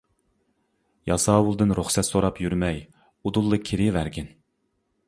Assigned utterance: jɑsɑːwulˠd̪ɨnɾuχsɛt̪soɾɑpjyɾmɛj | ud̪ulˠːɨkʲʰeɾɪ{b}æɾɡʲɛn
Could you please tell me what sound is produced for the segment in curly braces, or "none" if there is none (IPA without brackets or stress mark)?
v